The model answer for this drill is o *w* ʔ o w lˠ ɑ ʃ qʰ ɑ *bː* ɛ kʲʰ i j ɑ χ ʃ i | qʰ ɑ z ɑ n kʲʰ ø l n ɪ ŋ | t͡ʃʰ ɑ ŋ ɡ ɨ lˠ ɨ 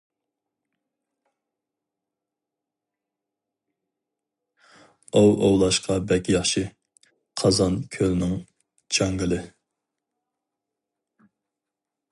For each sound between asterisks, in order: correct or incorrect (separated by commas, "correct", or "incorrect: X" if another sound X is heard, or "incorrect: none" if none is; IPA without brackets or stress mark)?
correct, incorrect: b